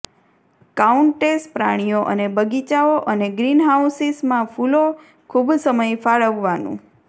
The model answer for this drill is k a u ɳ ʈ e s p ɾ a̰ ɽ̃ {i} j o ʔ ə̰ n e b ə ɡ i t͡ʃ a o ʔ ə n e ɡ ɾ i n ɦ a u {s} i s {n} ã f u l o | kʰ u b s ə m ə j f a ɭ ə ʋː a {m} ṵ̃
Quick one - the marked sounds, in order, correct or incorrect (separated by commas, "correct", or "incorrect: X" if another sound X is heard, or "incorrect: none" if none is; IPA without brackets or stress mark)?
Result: correct, correct, incorrect: m, incorrect: n